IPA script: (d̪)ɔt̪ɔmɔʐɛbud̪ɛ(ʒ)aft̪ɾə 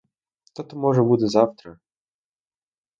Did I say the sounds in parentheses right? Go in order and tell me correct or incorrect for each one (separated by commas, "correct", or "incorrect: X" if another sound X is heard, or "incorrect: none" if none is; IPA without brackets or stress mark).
incorrect: t̪, incorrect: z